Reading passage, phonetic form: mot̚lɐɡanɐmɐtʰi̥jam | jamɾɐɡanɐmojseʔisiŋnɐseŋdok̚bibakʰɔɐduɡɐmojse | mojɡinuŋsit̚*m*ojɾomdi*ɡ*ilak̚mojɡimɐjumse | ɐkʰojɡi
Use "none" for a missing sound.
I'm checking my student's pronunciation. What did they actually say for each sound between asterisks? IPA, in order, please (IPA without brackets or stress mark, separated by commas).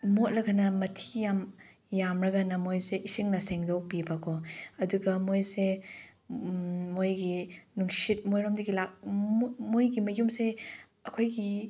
m, ɡ